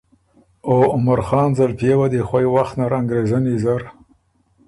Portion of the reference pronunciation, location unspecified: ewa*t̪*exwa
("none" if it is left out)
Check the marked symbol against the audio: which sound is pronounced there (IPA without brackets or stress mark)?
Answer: d̪